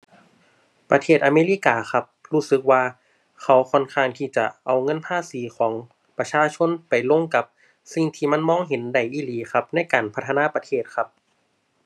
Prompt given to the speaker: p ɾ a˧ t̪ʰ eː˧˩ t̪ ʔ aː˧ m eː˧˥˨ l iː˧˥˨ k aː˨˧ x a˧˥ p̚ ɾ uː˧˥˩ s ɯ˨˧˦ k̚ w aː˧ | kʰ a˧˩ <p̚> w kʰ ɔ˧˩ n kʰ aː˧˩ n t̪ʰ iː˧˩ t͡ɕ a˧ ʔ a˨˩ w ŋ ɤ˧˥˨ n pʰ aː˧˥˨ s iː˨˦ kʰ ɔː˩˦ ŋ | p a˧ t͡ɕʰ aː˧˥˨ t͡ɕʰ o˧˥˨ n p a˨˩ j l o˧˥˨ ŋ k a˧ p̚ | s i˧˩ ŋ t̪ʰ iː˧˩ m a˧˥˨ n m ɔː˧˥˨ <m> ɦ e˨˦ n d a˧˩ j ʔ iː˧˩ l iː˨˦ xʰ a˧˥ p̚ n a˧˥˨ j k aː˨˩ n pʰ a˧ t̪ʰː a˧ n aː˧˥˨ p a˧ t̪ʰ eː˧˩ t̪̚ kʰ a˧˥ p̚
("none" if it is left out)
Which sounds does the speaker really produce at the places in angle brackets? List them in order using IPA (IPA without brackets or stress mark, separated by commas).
none, ŋ